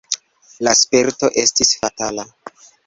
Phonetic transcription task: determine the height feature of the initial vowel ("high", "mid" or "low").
low